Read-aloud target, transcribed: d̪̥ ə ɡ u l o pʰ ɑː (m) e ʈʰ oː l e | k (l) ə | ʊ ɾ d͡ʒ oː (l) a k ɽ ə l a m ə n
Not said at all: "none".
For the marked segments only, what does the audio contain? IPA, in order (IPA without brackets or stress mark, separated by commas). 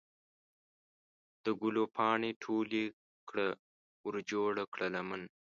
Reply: ɳ, ɽ, ɽ